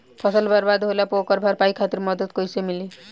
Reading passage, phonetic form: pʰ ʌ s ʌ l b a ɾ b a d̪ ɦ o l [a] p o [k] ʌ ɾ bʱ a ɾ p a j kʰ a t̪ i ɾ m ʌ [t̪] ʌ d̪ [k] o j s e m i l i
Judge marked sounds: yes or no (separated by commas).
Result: yes, yes, no, yes